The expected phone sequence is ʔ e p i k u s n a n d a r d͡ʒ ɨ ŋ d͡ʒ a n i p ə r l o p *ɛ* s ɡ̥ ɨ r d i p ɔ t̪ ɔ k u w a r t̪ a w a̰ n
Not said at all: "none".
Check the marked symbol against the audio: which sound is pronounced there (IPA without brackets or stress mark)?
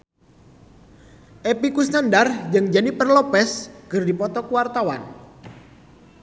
ɛ